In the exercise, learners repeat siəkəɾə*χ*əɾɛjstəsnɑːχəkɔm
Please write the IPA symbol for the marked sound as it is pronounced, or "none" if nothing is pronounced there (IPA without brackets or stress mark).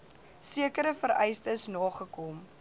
f